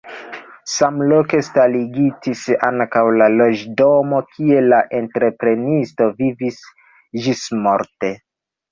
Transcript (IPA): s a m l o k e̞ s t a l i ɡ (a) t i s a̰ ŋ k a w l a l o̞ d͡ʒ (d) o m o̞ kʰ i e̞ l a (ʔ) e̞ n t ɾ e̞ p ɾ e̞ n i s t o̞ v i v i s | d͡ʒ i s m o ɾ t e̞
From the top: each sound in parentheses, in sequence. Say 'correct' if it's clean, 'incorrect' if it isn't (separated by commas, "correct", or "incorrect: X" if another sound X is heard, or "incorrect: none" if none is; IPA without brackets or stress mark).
incorrect: i, correct, correct